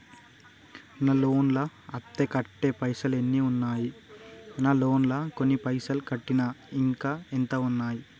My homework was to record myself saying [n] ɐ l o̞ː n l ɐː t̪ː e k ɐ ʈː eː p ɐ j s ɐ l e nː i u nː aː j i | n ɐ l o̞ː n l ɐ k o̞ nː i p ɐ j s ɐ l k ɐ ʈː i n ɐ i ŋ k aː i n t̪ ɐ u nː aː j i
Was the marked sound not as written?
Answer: no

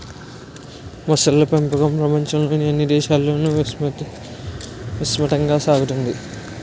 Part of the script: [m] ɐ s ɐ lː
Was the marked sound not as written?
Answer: no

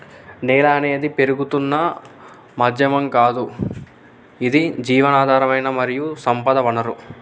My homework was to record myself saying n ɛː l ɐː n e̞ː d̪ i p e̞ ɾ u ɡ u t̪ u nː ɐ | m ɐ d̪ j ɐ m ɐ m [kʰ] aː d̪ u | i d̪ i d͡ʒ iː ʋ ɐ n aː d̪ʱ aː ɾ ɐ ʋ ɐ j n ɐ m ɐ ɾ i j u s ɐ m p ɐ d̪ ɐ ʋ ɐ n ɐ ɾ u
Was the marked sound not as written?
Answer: yes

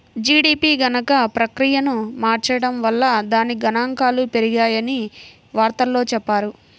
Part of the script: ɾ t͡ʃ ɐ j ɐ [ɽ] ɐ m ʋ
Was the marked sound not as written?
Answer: no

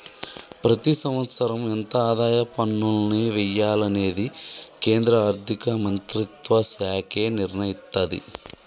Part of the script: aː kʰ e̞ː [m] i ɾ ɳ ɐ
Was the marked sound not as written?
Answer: yes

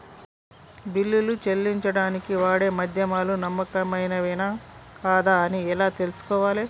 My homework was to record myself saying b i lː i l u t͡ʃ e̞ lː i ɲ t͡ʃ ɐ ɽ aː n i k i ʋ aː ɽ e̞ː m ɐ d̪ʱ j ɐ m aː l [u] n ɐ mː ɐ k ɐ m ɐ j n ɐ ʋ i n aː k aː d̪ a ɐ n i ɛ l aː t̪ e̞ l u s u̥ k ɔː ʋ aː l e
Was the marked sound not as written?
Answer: no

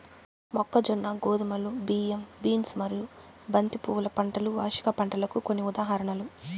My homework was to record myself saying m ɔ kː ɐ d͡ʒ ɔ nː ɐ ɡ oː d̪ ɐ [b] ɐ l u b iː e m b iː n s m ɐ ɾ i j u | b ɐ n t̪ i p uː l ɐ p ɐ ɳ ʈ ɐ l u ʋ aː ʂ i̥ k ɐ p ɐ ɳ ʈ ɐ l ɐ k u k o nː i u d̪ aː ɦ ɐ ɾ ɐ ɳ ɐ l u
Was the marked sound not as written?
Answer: yes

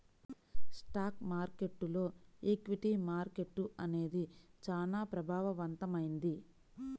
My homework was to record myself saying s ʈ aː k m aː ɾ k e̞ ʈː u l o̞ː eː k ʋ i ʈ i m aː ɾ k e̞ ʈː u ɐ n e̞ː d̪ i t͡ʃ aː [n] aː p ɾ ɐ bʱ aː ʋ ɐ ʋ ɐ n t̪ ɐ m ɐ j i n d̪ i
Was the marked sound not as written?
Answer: no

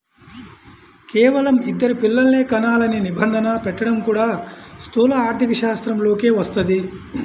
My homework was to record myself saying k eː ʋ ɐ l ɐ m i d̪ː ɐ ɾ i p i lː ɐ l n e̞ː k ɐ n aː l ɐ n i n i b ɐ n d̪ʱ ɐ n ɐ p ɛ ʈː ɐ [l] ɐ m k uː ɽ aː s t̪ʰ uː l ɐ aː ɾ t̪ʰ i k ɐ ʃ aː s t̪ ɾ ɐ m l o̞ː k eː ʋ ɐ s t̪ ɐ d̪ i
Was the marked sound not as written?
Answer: yes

